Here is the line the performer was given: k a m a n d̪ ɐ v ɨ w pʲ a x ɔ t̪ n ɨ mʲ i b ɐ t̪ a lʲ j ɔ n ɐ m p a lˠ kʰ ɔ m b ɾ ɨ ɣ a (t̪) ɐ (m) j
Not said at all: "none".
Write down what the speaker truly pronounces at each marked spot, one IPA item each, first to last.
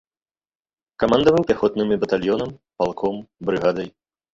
d̪, none

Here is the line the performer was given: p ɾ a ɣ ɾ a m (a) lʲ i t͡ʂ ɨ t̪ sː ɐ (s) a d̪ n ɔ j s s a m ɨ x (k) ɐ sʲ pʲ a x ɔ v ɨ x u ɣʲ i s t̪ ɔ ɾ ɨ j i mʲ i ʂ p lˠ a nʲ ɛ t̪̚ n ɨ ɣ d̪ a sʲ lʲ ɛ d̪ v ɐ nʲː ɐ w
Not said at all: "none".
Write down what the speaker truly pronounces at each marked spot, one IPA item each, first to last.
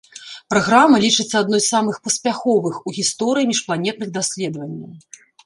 ɐ, none, p

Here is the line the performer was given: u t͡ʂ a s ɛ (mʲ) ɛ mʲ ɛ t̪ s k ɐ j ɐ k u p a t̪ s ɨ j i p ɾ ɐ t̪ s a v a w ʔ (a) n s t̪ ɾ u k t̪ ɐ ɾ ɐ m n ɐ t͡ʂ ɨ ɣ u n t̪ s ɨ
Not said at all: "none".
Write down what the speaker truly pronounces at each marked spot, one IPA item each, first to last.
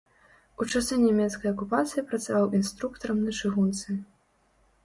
nʲ, i

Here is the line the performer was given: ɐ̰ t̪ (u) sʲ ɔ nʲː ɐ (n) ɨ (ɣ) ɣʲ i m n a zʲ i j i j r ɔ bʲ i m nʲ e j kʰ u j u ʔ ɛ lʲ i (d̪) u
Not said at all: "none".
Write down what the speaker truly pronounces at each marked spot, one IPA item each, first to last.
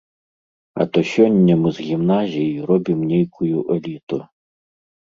ɔ, m, z, t̪

